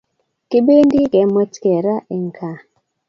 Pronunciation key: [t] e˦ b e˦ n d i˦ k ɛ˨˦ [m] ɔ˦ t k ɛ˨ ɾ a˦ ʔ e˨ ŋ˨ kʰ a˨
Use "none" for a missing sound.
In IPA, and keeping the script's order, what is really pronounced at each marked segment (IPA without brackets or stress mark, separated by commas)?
k, m